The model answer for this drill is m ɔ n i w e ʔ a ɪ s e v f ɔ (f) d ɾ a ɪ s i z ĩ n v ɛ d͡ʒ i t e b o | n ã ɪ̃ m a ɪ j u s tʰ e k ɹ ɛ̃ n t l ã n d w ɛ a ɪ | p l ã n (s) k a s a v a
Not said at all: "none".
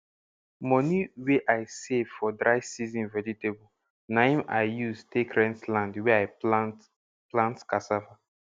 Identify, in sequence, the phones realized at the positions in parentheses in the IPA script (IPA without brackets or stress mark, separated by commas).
none, t